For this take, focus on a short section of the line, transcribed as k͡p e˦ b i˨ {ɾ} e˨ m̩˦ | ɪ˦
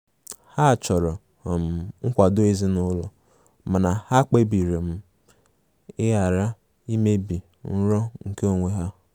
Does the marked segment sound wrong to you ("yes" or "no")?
no